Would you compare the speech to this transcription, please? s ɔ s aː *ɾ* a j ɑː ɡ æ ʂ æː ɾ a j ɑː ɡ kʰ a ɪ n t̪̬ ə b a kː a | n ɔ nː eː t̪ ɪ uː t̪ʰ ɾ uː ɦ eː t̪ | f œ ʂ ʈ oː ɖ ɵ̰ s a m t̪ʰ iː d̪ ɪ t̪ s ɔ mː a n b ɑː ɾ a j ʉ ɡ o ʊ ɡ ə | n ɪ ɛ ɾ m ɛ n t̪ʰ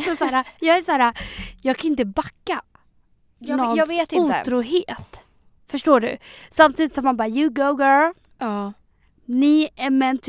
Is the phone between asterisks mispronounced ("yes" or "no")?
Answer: no